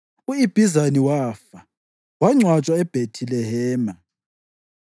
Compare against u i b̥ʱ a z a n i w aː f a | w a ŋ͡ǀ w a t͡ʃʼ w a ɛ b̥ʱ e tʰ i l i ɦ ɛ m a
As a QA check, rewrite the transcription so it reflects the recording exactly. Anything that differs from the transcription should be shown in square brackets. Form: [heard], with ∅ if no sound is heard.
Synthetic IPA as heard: u i b̥ʱ [i] z a n i w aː f a | w a ŋ͡ǀ w a t͡ʃʼ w a ɛ b̥ʱ e tʰ i l [ɛ] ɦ [ɛː] m a

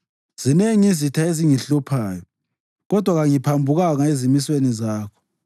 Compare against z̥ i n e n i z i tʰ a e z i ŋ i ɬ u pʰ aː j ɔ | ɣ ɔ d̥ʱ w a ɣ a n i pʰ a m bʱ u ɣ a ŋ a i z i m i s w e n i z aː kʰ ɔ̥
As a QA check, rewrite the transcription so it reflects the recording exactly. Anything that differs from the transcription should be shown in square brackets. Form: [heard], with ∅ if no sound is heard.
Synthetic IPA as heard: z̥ i n e [ŋ] i z i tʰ a e z i ŋ i ɬ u pʰ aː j ɔ | ɣ ɔ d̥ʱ w a ɣ a [ŋ] i pʰ a m bʱ u ɣ a ŋ a [e] z i m i s w e n i z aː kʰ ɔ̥

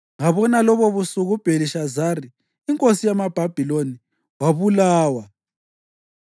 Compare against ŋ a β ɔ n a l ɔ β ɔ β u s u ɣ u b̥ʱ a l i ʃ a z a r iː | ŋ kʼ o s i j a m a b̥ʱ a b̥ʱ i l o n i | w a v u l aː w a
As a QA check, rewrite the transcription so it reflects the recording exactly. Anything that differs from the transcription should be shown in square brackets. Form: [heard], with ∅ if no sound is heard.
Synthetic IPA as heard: ŋ a β ɔ n a l ɔ β ɔ β u s u ɣ u b̥ʱ [e] l i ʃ a z a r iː | ŋ kʼ o s i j a m a b̥ʱ a b̥ʱ i l o n i | w a [β] u l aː w a

